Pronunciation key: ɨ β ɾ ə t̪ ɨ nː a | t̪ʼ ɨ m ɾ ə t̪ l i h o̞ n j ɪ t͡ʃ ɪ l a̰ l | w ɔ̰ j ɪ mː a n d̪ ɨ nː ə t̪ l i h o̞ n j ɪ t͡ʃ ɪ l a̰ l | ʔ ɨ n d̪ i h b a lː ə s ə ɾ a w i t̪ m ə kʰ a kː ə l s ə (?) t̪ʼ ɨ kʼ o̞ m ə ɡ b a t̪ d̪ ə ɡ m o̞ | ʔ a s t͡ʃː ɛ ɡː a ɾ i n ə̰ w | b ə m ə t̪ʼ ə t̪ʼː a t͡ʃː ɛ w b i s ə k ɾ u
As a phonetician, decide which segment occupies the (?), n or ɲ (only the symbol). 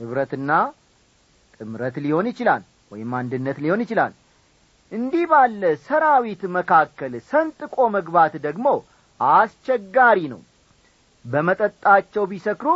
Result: n